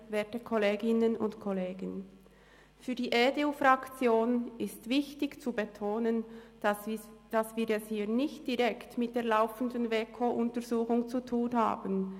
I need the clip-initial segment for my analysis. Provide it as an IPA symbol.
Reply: v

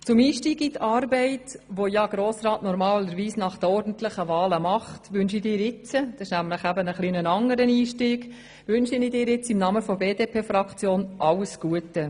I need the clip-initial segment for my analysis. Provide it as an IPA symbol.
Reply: t͡s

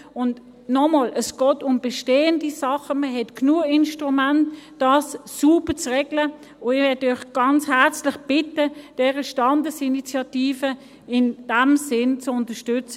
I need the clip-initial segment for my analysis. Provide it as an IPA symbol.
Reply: ʊ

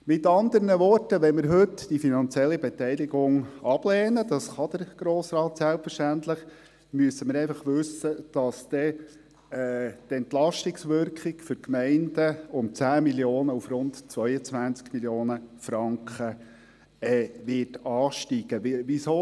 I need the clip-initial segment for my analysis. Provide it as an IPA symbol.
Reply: m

